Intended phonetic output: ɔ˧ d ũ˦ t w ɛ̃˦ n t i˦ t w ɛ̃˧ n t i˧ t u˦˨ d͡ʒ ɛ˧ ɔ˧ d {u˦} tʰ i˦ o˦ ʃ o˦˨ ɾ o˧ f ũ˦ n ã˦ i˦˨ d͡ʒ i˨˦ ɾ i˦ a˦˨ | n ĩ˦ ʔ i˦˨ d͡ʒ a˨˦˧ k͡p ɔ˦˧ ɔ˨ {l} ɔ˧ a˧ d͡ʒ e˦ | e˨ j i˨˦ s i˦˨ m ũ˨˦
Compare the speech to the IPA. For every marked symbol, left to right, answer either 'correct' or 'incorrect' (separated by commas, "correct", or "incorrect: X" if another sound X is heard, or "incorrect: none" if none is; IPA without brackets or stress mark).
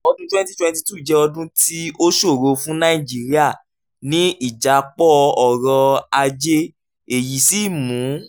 incorrect: ũ˦, incorrect: ɾ